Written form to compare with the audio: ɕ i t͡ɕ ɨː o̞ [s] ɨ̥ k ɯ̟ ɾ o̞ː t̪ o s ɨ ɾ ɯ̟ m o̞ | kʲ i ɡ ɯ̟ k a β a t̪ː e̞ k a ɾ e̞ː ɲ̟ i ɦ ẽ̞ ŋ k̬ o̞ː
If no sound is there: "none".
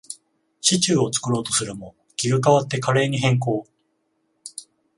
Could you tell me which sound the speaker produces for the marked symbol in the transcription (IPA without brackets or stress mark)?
t͡s